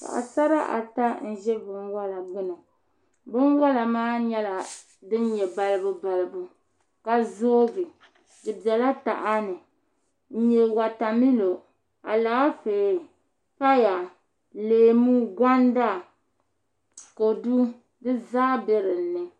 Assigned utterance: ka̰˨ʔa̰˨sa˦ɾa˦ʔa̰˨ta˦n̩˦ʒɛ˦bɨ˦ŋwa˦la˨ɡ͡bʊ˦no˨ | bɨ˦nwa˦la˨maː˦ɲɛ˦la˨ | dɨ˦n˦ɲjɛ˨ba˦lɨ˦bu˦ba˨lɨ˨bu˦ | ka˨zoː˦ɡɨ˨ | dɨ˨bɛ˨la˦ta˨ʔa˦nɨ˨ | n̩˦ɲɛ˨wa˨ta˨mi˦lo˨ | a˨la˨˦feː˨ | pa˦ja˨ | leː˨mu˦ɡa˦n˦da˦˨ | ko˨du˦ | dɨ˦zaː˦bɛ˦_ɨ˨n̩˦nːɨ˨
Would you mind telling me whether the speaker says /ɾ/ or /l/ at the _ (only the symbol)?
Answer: ɾ